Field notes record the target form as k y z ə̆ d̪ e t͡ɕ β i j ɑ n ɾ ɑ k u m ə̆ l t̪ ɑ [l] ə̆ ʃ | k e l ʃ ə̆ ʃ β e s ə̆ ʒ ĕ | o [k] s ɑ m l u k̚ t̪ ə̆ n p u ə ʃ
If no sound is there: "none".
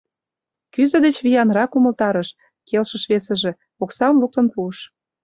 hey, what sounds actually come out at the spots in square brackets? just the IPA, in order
ɾ, k

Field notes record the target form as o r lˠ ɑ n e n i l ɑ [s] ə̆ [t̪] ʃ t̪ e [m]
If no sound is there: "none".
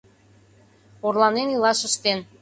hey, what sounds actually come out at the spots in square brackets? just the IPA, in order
ʃ, none, n

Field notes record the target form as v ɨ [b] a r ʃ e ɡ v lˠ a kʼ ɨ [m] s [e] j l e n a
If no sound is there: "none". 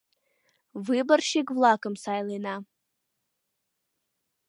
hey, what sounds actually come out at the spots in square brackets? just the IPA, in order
b, m, a

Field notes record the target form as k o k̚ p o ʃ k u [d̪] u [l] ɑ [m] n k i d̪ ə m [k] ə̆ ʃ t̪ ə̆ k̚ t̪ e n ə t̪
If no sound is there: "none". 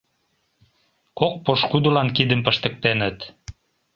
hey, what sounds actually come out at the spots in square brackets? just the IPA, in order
d̪, l, none, p

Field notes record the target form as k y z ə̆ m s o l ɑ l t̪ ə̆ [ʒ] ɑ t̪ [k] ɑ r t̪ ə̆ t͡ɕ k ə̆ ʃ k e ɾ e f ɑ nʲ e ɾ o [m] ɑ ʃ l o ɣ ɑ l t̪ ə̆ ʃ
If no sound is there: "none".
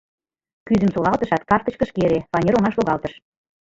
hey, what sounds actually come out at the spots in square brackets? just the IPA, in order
ʃ, k, ŋ

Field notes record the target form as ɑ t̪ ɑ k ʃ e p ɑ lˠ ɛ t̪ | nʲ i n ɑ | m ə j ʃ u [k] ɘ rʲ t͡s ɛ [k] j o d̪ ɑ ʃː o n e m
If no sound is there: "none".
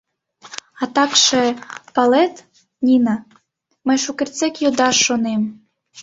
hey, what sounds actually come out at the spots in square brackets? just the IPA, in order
k, k

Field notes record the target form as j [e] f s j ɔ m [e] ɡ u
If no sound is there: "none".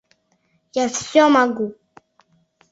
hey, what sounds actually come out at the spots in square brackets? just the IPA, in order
a, a

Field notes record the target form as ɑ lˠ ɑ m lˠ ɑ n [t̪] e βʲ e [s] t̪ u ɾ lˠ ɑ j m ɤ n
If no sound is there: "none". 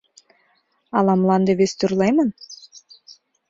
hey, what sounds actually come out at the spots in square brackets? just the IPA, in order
d̪, s

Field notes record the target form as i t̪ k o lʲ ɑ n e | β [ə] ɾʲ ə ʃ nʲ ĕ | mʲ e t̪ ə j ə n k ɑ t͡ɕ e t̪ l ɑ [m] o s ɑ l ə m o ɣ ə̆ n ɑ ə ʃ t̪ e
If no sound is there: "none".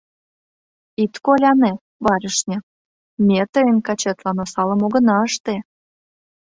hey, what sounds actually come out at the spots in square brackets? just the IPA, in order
ɑ, n

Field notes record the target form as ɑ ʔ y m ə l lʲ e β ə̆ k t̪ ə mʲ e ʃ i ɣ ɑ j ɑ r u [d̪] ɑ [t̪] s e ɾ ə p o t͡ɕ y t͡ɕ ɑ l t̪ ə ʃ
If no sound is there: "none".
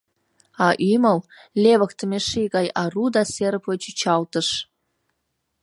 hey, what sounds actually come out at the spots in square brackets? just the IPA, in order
d̪, none

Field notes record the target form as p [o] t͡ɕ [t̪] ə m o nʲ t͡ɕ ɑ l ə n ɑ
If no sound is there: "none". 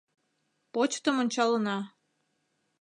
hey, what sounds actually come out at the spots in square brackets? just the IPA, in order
o, t̪

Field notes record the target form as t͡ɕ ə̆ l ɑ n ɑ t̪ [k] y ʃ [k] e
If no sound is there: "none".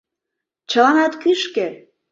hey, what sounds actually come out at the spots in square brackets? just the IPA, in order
k, k

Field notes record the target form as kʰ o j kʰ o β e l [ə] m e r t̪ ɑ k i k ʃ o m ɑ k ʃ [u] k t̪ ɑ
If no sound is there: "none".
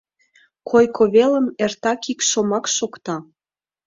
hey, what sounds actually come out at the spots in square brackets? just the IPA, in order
ə, o

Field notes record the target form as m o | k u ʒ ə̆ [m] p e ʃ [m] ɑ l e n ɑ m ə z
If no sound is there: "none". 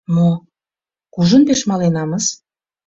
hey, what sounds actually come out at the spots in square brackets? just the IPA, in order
n, m

